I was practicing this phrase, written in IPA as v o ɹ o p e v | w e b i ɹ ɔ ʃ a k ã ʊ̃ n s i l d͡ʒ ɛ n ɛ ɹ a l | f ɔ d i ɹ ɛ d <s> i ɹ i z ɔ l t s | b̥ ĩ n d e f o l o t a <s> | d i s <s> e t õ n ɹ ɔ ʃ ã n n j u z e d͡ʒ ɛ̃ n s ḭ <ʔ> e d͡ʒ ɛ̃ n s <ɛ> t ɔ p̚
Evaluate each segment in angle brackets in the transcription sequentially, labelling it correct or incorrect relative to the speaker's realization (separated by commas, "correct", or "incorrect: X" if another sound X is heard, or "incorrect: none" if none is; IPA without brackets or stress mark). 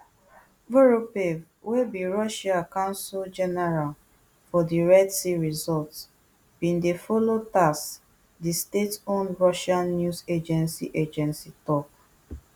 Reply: correct, correct, incorrect: t, correct, incorrect: i